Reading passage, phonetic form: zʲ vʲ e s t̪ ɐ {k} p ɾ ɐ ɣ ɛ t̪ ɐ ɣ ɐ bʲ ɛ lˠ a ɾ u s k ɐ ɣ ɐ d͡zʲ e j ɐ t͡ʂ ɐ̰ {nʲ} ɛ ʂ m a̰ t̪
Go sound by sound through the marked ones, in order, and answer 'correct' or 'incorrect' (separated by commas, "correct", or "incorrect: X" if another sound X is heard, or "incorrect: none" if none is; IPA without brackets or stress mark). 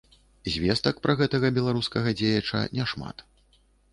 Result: correct, correct